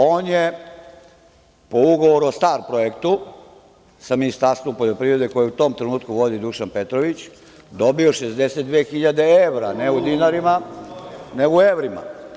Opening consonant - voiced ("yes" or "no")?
yes